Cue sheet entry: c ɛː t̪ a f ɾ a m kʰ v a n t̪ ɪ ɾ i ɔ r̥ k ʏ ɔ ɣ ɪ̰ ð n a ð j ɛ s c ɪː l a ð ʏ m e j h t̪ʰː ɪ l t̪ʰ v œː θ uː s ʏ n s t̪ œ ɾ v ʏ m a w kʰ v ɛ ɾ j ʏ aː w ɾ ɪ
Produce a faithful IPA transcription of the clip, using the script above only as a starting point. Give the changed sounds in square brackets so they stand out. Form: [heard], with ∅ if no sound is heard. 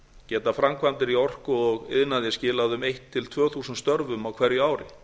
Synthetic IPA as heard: c ɛː t̪ a f ɾ a m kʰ v a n t̪ ɪ ɾ i ɔ r̥ k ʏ ɔ ɣ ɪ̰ ð n a ð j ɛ s c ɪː l a ð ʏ m e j h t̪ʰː ɪ l t̪ʰ v œː θ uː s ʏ n s t̪ œ ɾ v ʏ m a w kʰ v ɛ ɾ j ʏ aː w ɾ ɪ